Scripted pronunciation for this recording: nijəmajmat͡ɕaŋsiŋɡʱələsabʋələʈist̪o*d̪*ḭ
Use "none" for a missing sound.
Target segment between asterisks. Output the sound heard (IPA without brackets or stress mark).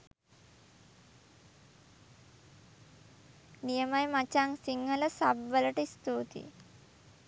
t̪